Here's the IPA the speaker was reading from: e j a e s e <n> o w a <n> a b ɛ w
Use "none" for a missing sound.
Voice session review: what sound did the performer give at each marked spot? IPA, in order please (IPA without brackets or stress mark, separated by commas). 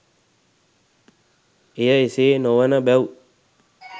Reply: n, n